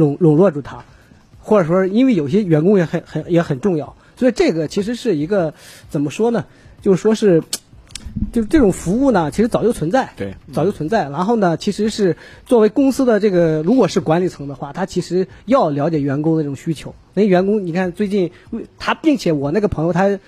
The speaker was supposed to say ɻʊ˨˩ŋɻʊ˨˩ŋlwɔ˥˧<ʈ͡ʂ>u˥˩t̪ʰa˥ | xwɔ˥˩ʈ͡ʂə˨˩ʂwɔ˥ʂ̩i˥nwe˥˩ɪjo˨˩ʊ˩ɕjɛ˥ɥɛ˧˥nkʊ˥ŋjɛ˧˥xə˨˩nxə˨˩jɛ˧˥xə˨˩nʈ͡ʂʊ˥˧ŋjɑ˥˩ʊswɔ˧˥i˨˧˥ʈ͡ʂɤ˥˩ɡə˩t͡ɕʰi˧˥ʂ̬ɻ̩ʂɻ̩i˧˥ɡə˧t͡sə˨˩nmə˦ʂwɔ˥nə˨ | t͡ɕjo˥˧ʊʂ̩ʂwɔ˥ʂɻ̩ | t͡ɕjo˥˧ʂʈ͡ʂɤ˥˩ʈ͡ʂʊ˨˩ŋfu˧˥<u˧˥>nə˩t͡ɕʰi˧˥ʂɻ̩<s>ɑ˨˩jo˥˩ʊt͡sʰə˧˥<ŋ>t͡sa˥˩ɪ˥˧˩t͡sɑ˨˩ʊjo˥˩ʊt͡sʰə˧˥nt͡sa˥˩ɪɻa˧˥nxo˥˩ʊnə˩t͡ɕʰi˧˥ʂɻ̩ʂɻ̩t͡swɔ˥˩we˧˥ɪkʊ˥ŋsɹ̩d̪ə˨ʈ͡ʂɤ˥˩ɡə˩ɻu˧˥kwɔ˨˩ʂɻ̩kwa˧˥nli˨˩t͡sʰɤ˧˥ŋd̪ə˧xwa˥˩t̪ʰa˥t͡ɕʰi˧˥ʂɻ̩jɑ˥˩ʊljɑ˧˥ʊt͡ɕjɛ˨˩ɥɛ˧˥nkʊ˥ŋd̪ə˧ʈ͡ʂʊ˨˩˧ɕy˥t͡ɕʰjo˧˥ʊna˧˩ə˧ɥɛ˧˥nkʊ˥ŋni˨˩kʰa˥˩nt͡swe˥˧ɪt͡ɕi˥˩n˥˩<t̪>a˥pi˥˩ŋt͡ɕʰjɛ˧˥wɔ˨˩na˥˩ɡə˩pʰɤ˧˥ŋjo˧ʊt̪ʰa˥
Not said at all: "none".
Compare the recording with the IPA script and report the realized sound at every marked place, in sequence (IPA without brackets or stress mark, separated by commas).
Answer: ʈ͡ʂ, u˥˩, t͡s, n, t̪ʰ